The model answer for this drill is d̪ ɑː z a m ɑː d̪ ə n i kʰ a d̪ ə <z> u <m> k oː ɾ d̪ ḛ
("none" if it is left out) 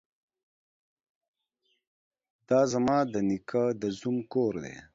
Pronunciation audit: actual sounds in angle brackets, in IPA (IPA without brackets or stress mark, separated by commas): z, m